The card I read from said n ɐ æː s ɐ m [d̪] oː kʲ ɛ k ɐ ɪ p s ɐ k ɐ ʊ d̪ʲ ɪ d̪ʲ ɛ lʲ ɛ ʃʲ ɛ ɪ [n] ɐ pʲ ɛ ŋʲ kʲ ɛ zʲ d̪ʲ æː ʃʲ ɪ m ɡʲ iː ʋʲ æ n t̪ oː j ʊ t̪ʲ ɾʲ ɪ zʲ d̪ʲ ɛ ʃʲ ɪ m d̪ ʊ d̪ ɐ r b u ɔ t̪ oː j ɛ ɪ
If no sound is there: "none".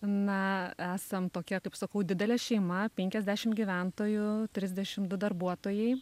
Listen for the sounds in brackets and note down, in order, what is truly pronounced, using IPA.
t̪, m

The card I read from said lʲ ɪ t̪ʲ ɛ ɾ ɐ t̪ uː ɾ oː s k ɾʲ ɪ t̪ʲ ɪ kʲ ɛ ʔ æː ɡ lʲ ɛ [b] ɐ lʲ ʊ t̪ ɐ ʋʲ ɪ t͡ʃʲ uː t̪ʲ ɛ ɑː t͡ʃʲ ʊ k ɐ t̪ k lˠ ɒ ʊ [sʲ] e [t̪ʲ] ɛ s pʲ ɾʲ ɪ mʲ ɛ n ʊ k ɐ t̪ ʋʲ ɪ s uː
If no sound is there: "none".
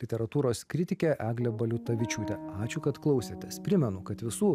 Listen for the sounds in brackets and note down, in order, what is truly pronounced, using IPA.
b, sʲ, t̪ʲ

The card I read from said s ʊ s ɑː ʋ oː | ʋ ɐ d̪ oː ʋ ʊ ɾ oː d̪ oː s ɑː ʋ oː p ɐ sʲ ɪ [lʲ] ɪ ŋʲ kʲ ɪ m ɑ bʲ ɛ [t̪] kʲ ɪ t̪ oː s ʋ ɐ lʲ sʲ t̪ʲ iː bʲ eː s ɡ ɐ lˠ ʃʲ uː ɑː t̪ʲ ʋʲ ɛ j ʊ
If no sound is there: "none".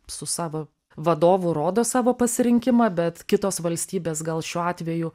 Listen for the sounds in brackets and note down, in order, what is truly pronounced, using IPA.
ɾʲ, t̪

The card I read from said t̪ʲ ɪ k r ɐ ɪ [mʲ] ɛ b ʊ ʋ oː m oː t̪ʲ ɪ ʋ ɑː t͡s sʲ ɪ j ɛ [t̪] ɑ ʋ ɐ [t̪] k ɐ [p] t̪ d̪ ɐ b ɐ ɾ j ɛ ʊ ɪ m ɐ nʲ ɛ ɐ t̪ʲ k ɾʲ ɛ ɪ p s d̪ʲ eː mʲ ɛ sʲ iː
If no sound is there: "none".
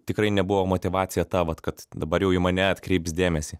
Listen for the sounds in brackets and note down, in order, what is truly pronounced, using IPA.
nʲ, t̪, t̪, none

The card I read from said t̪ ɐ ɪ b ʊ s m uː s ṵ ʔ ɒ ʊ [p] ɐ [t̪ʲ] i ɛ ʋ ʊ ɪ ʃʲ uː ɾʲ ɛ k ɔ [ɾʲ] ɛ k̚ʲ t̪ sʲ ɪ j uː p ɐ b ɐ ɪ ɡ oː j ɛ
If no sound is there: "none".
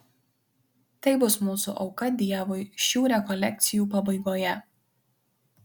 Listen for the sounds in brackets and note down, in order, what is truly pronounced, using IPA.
k, d̪ʲ, lʲ

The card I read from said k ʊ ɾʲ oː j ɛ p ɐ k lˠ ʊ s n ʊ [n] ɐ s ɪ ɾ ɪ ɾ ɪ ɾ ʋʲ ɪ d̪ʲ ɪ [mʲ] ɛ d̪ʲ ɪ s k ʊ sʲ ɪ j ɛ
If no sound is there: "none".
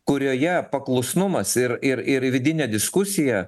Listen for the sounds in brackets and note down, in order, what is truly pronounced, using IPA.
m, nʲ

